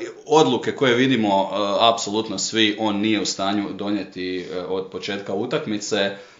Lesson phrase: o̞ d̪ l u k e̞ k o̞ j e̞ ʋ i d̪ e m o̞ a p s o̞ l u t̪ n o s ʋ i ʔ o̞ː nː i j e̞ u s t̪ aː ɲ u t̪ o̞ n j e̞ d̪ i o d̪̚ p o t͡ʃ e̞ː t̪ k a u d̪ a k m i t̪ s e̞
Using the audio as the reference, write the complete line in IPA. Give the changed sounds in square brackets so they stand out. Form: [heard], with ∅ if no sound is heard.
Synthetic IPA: o̞ d̪ l u k e̞ k o̞ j e̞ ʋ i d̪ [i] m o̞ a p s o̞ l u t̪ n o s ʋ i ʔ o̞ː nː i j e̞ u s t̪ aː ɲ u [d̪] o̞ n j e̞ [t̪] i o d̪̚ p o t͡ʃ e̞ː t̪ k a u [t̪] a k m i t̪ s e̞